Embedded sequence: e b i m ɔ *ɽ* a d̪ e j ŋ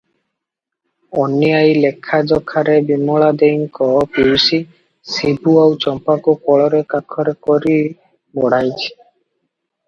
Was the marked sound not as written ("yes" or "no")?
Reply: yes